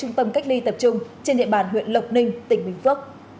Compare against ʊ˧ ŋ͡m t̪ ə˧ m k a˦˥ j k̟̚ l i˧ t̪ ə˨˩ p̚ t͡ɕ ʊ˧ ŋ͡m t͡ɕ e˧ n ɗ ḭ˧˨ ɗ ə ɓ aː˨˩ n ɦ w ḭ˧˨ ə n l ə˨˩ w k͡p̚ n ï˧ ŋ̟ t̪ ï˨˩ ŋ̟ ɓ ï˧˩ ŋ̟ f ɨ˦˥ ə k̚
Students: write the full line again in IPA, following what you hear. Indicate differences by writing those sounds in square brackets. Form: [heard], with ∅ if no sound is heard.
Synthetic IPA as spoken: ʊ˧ ŋ͡m t̪ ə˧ m k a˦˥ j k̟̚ l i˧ t̪ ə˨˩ p̚ t͡ɕ ʊ˧ ŋ͡m t͡ɕ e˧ n ɗ ḭ˧˨ [∅] ə ɓ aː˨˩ n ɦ w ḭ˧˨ ə n l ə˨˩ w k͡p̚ n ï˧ ŋ̟ t̪ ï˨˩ ŋ̟ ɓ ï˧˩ ŋ̟ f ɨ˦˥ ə k̚